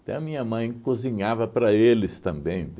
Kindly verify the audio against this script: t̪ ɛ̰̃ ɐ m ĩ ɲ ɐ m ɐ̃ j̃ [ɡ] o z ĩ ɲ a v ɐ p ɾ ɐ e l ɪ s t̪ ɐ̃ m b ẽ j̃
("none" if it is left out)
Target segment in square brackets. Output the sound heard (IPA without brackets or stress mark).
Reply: k